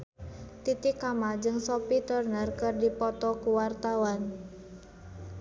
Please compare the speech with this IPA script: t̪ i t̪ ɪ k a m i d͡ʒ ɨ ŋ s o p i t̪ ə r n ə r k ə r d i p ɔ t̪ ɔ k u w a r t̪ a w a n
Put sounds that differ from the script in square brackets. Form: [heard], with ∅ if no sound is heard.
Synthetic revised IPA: t̪ i t̪ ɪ k a m [a] d͡ʒ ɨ ŋ s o p i t̪ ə r n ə r k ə r d i p ɔ t̪ ɔ k u w a r t̪ a w a n